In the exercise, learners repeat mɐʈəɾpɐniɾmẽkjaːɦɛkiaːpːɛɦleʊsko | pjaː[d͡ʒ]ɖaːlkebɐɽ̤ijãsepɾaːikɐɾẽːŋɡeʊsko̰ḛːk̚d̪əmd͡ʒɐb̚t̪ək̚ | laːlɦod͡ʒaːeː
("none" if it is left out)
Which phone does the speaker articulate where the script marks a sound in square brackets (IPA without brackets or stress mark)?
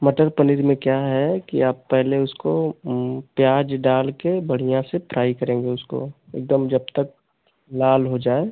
d͡ʒ